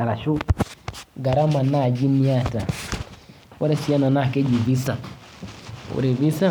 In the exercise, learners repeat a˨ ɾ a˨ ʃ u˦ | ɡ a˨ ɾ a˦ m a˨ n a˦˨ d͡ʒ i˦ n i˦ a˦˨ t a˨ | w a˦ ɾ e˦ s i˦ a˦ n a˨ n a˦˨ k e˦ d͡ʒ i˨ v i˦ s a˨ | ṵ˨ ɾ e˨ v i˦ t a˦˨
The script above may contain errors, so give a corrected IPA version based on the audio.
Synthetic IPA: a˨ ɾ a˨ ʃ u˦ | ɡ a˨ ɾ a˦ m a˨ n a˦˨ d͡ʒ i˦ n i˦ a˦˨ t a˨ | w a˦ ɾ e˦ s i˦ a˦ n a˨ n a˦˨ k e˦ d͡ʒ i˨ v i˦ s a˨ | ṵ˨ ɾ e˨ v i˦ s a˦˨